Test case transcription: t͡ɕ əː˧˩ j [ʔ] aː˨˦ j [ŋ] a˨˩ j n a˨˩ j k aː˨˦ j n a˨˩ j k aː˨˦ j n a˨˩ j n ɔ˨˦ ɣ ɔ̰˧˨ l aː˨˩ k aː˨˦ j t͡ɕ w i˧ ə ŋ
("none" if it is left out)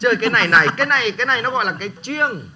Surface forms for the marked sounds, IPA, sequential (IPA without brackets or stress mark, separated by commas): k, n